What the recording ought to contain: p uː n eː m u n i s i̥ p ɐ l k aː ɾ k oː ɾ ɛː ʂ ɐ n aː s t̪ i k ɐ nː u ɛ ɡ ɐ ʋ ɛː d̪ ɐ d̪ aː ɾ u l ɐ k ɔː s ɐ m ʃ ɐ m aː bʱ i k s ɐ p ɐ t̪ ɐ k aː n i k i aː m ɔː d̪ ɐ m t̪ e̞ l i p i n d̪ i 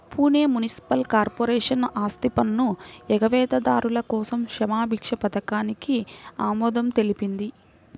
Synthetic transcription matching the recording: p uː n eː m u n i s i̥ p ɐ l k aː ɾ p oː ɾ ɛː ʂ ɐ n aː s t̪ i p ɐ nː u ɛ ɡ ɐ ʋ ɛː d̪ ɐ d̪ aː ɾ u l ɐ k ɔː s ɐ m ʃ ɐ m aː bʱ i k ʂ ɐ p ɐ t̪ ɐ k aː n i k i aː m ɔː d̪ ɐ m t̪ e̞ l i p i n d̪ i